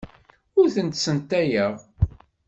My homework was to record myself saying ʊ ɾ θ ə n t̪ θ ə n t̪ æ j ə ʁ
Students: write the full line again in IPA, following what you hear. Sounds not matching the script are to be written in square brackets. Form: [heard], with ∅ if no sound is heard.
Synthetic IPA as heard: ʊ ɾ θ ə n t̪ [s] ə n t̪ æ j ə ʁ